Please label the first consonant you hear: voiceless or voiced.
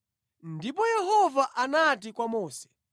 voiced